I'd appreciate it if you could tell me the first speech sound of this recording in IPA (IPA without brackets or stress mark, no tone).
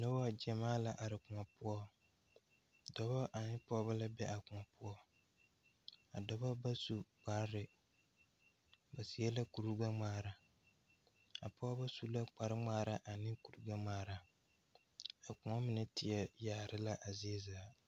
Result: n